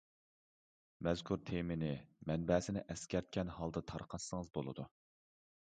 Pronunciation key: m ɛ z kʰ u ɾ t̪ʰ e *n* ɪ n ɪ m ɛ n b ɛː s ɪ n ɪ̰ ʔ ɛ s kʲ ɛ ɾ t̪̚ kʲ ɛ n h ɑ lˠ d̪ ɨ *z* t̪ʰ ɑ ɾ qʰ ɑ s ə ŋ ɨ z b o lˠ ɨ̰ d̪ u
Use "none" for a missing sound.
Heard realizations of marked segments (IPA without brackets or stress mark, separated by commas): m, none